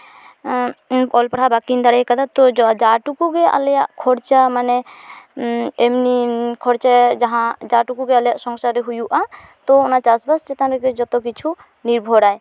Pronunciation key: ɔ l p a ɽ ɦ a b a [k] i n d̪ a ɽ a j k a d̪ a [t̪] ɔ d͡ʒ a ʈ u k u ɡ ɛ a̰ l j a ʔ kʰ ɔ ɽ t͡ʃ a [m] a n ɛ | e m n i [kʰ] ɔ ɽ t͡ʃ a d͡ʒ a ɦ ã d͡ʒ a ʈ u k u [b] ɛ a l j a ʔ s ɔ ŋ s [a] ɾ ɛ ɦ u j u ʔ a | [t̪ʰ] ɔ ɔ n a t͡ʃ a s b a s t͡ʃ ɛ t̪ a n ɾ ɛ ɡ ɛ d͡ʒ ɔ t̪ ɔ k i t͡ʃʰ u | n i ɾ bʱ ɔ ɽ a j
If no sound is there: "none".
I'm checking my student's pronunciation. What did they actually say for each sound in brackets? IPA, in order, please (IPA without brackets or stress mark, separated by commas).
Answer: k, t̪, m, kʰ, ɡ, a, t̪